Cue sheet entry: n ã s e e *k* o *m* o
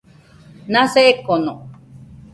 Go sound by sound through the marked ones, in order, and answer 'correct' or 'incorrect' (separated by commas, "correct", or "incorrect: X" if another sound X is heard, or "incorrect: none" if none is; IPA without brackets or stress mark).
correct, incorrect: n